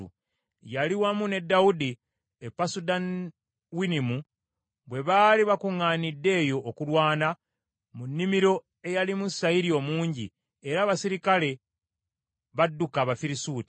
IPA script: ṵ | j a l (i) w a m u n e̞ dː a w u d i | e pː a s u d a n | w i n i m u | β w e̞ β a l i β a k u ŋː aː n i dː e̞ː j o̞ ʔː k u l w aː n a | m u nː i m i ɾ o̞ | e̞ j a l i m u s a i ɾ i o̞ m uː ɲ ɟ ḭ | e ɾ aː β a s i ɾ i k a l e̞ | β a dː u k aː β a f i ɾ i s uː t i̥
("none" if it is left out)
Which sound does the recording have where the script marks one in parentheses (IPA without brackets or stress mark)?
i